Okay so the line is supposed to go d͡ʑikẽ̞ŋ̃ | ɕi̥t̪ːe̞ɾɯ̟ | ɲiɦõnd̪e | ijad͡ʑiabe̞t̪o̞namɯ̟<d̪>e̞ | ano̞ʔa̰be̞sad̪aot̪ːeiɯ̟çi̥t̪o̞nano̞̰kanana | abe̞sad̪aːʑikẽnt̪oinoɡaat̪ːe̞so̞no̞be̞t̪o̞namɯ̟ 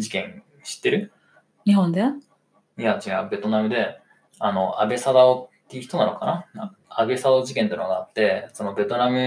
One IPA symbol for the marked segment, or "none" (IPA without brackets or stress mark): d̪